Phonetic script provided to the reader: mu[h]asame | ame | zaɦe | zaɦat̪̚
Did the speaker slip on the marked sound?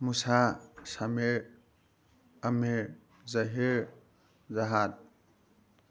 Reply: yes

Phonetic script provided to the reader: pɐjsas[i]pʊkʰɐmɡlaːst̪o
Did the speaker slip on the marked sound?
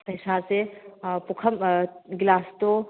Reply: yes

